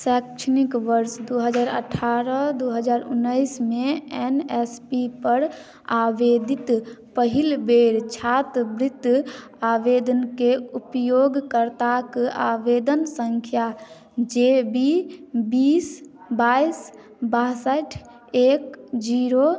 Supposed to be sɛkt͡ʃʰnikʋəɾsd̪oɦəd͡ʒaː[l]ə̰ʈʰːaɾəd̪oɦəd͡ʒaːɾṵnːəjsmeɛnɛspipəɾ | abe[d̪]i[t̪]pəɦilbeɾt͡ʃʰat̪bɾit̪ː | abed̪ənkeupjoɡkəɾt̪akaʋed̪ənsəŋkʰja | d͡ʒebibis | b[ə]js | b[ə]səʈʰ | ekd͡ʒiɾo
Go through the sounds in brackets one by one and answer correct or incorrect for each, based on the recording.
incorrect: ɾ, correct, correct, incorrect: a, incorrect: a

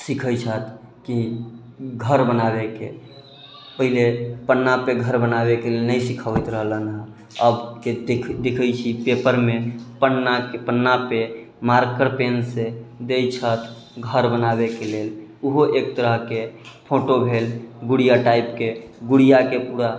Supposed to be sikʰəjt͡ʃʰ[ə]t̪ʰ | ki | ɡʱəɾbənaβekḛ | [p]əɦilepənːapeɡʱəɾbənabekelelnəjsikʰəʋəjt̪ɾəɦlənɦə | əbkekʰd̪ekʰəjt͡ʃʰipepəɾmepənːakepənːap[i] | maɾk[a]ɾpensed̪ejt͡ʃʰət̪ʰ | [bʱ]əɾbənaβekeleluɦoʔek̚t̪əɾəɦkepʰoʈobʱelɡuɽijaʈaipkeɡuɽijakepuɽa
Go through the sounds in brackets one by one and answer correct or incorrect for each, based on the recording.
correct, correct, incorrect: e, incorrect: ə, incorrect: ɡʱ

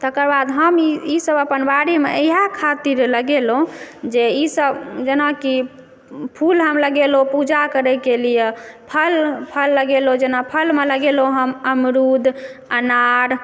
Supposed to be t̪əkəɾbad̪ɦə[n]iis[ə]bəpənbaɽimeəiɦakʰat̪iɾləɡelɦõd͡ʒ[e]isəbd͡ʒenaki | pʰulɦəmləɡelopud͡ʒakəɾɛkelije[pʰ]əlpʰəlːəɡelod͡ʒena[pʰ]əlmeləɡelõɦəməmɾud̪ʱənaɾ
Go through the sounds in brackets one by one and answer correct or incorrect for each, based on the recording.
incorrect: m, correct, correct, correct, correct

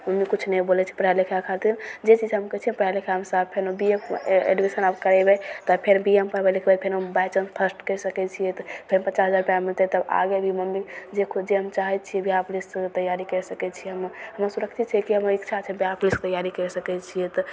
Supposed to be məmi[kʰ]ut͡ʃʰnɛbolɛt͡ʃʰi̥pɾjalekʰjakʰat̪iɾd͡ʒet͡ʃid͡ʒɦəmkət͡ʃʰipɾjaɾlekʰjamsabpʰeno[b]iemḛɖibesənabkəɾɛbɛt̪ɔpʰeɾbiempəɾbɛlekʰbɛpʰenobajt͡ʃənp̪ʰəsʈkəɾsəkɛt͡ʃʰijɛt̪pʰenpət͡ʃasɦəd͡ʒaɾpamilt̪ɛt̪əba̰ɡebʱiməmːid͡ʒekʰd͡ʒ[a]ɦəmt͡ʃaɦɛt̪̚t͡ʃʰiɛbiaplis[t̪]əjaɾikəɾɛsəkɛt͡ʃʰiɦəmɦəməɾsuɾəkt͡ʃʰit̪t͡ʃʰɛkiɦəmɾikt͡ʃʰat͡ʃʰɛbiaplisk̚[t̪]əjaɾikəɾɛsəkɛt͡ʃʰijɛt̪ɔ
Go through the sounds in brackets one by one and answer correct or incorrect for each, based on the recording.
incorrect: k, correct, incorrect: e, correct, correct

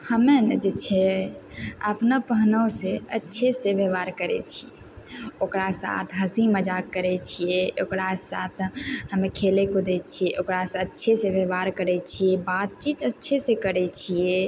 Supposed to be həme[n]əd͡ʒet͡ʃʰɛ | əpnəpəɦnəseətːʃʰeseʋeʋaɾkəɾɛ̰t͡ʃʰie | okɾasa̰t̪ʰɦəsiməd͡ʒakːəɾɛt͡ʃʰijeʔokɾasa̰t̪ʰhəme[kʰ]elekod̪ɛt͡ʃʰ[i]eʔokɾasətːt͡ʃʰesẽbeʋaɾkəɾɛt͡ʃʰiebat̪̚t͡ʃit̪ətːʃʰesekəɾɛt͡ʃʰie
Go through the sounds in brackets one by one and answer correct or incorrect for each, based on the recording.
correct, correct, correct

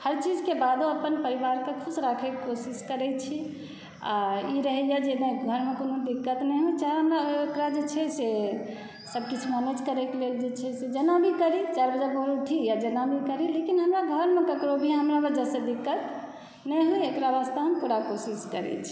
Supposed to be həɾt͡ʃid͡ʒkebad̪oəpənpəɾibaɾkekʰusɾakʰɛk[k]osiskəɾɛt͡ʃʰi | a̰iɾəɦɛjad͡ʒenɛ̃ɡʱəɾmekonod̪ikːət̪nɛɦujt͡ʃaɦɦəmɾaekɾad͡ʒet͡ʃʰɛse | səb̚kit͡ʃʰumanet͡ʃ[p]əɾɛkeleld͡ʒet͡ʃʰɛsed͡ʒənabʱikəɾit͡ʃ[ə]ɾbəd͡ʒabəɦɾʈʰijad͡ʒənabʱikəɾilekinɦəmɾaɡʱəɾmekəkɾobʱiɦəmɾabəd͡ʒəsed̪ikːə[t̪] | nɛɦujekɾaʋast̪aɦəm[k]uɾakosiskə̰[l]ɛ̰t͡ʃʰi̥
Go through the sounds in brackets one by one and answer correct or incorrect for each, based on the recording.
correct, incorrect: k, incorrect: a, correct, incorrect: p, incorrect: ɾ

